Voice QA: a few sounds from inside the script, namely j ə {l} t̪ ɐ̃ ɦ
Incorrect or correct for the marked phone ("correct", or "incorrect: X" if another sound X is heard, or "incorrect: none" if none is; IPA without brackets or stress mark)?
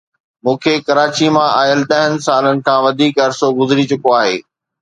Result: correct